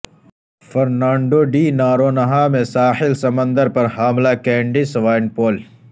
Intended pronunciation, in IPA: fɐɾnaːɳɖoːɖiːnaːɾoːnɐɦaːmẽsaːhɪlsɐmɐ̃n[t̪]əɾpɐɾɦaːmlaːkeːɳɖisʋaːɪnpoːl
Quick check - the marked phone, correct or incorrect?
incorrect: d̪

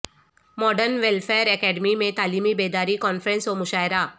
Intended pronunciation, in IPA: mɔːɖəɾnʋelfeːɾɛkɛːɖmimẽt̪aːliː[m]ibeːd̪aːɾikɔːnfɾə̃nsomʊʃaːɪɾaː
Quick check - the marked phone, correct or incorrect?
correct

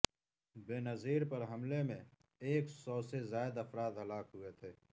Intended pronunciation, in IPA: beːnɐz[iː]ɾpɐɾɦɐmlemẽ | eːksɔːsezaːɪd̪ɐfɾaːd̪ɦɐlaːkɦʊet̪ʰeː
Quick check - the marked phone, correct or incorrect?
correct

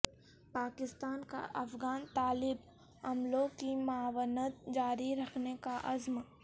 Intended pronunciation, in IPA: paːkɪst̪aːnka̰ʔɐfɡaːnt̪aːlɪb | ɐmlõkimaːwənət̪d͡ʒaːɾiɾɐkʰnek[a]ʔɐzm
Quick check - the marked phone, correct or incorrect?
correct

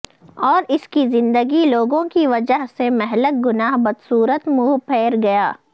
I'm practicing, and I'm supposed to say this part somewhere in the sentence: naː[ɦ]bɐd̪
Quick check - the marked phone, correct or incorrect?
correct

